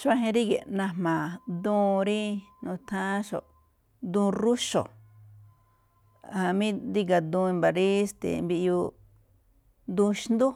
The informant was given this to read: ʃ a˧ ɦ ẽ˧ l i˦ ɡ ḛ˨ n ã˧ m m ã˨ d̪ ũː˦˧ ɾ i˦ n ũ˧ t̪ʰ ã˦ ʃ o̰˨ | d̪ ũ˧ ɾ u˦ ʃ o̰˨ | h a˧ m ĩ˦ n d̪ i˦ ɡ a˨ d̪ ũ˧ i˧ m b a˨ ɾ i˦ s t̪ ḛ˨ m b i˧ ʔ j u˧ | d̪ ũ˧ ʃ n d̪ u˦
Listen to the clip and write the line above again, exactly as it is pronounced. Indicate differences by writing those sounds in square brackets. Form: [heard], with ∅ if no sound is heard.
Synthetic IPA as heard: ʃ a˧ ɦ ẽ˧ [ɾ] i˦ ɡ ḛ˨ n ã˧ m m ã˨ d̪ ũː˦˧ ɾ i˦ n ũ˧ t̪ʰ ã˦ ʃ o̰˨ | d̪ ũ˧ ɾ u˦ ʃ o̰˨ | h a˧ m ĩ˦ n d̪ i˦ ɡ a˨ d̪ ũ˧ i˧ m b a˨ ɾ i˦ s t̪ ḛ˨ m b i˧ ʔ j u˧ | d̪ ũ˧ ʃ n d̪ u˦